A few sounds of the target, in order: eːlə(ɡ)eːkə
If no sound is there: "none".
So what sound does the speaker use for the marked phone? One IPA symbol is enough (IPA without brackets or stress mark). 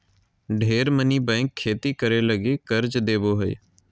ɡ